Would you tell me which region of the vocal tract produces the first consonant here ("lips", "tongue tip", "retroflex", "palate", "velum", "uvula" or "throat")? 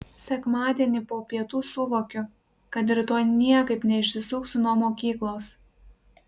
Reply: tongue tip